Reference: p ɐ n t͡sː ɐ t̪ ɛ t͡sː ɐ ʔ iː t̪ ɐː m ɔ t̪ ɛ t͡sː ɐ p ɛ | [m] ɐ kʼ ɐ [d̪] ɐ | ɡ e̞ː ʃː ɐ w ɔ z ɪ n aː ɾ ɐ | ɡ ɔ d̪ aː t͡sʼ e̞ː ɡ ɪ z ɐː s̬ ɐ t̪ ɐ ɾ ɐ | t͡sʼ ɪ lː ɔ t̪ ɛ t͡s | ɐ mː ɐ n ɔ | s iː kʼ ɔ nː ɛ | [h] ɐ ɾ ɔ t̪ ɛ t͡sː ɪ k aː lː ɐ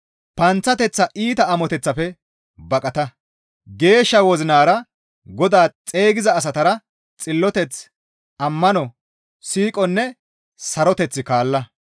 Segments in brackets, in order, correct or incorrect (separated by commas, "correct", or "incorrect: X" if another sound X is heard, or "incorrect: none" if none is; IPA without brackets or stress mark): incorrect: b, incorrect: t̪, incorrect: s